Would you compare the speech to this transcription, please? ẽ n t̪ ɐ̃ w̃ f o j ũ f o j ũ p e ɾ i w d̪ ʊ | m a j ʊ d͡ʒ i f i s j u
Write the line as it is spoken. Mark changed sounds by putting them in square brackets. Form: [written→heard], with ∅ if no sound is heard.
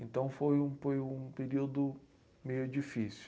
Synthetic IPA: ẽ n t̪ ɐ̃ w̃ f o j ũ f o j ũ p e ɾ i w d̪ ʊ | m [a→e] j ʊ d͡ʒ i f i s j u